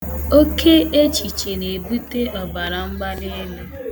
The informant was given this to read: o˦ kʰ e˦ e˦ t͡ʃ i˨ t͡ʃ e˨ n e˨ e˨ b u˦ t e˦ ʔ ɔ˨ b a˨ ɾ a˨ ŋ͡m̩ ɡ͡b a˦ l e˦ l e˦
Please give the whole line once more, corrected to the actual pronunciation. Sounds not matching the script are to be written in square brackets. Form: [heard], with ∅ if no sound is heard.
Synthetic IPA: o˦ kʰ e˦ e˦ t͡ʃ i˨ t͡ʃ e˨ n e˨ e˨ b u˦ t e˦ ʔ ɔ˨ b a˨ ɾ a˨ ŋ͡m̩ ɡ͡b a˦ l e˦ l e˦